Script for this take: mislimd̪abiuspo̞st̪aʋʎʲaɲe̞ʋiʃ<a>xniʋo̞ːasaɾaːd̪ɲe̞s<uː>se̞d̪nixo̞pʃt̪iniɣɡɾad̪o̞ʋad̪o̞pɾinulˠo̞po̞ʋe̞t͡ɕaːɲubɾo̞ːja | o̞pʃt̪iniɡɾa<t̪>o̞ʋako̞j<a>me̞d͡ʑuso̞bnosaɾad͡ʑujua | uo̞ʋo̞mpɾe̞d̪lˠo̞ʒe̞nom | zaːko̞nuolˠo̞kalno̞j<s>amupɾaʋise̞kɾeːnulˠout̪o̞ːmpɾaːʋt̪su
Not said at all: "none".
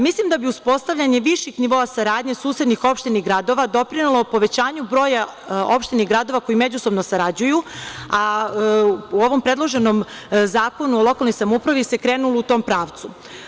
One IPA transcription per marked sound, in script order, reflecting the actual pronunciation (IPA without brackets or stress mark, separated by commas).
i, uː, d̪, i, s